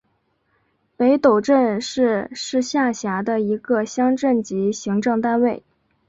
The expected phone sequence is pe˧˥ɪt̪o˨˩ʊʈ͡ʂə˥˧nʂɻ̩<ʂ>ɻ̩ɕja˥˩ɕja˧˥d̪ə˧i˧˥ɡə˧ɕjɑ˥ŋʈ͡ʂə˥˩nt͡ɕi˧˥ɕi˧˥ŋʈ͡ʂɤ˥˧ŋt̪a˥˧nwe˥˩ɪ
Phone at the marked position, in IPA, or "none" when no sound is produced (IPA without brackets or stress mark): ʂ